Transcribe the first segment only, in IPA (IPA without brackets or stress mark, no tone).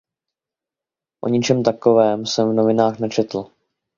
ʔ